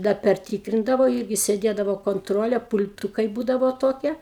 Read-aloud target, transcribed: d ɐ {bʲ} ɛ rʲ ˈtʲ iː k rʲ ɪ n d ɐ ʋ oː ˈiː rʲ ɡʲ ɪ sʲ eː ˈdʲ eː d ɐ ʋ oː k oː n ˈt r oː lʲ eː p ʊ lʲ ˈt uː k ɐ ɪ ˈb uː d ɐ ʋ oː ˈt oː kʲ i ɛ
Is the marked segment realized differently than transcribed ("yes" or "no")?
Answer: yes